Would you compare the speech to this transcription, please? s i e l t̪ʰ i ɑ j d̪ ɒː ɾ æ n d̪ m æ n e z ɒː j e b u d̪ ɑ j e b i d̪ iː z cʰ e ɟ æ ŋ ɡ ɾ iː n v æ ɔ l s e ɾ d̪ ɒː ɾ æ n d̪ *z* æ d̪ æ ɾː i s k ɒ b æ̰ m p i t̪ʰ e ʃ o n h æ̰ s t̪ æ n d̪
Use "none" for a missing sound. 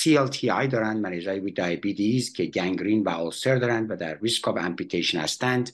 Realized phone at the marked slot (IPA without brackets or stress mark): v